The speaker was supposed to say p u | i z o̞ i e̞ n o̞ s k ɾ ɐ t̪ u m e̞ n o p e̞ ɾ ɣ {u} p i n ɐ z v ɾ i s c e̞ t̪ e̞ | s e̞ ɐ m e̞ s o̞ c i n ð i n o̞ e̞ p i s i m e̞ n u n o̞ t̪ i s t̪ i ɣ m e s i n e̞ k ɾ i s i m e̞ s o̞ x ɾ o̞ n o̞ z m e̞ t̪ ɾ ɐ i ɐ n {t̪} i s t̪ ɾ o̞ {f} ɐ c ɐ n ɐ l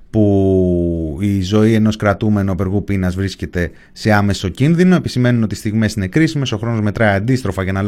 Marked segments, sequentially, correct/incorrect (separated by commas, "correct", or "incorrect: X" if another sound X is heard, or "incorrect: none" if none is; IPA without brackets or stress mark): correct, incorrect: d̪, correct